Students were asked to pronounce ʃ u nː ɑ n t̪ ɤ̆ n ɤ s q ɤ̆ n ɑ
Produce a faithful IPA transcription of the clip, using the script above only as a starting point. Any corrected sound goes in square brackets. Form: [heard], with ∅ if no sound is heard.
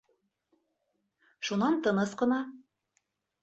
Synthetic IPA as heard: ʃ u [n] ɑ n t̪ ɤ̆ n ɤ s q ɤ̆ n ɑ